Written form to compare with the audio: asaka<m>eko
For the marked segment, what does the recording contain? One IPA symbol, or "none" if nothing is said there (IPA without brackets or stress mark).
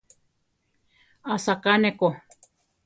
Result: n